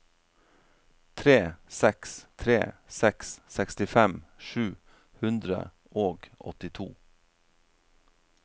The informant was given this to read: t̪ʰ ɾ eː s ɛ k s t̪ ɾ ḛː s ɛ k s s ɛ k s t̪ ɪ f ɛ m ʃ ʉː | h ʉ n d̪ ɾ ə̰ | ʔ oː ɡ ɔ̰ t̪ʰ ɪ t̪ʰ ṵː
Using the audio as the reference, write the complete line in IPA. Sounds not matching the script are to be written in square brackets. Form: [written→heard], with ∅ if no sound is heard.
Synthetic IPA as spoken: t̪ʰ ɾ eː s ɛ k s [t̪→t̪ʰ] ɾ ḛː s ɛ k s s ɛ k s t̪ ɪ f ɛ m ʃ ʉː | h ʉ n d̪ ɾ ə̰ | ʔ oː ɡ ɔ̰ [t̪ʰ→t̪] ɪ t̪ʰ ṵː